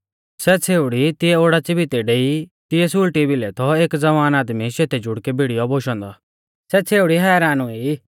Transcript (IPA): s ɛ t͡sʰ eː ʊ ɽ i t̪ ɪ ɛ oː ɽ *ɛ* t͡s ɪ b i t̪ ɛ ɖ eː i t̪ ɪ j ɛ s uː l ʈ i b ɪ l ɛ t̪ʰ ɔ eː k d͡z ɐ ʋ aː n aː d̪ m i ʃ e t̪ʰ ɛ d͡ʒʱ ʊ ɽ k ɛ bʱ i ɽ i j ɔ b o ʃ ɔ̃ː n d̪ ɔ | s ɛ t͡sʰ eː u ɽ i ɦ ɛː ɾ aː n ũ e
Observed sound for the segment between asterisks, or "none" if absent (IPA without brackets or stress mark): a